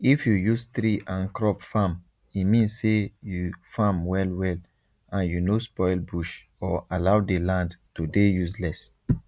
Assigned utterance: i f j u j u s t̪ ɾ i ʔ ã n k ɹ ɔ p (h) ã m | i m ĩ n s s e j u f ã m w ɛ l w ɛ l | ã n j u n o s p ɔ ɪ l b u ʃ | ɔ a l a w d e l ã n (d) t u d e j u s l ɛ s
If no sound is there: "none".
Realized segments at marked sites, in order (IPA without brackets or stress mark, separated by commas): f, d